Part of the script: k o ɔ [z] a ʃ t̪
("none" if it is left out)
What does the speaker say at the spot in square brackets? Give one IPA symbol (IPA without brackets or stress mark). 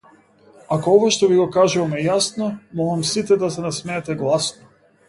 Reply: v